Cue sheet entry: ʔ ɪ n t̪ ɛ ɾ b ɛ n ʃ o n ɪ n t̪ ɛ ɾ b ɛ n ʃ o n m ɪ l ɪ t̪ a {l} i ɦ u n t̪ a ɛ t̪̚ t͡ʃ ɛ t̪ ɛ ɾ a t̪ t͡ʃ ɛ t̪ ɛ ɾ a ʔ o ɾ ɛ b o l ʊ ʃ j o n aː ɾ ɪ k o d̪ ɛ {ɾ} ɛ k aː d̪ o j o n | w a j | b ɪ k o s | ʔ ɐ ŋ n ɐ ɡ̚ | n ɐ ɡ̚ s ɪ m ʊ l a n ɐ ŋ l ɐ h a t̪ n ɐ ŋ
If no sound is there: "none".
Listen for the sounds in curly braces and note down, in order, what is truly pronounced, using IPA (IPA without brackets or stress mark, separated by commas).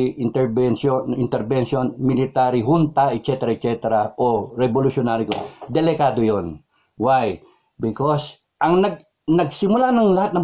ɾ, l